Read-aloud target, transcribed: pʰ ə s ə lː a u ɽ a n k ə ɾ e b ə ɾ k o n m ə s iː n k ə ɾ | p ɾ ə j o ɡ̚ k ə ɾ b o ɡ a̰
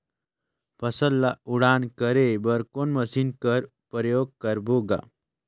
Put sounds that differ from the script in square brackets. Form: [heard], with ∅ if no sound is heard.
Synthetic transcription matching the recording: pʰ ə s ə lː a u ɽ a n k ə ɾ e b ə ɾ k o n m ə s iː n k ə ɾ | p ɾ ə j o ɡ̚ k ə ɾ b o ɡ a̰